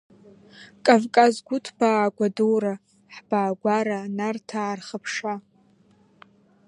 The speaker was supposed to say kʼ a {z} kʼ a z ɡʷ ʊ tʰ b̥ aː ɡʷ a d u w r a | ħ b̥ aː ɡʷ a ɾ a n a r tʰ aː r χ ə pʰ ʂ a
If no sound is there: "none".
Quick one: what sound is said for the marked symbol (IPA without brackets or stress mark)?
v